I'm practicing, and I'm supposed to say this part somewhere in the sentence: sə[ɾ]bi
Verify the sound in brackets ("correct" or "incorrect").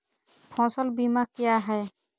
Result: incorrect